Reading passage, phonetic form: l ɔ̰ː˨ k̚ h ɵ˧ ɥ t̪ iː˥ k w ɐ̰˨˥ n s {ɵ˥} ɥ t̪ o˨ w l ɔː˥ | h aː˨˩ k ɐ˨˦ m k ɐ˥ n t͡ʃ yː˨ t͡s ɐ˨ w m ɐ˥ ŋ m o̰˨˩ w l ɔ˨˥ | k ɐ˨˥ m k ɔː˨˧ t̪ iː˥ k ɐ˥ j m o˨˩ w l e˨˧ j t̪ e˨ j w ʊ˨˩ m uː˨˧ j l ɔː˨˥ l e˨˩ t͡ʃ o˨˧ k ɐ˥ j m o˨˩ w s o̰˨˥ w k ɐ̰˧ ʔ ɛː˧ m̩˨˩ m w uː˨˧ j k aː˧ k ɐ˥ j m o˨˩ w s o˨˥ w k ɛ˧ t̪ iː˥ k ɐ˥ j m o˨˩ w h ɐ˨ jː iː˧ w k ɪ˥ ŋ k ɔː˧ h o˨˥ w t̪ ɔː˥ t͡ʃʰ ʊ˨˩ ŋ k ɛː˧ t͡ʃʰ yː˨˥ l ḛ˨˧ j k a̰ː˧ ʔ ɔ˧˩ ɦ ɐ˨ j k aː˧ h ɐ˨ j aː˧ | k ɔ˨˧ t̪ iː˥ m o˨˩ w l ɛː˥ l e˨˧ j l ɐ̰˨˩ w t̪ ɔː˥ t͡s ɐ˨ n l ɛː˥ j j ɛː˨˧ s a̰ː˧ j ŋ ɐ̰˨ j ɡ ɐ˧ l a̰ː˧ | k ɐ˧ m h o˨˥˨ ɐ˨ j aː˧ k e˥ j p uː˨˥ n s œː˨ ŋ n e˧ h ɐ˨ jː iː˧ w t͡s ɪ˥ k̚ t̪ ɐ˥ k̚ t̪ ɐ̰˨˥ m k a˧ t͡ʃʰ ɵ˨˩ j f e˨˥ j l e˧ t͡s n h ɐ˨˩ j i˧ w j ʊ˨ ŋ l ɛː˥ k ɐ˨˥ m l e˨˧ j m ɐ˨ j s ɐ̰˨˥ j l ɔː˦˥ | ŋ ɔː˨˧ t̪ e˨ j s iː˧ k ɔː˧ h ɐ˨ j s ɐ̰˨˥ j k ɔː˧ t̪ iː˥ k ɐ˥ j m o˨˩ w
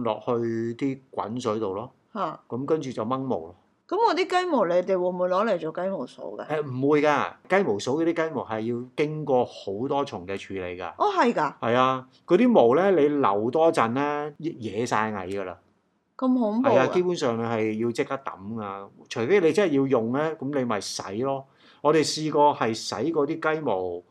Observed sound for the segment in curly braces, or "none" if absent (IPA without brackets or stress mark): ɵ˨˥